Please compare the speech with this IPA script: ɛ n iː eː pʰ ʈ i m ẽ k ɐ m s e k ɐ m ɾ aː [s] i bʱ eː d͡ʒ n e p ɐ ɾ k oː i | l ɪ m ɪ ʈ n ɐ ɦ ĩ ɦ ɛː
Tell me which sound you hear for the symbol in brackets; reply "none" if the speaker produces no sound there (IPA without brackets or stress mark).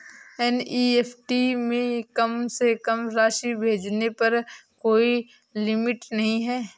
ʃ